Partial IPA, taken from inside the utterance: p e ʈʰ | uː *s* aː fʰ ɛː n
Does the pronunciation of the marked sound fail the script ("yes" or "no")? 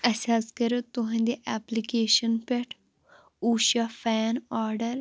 yes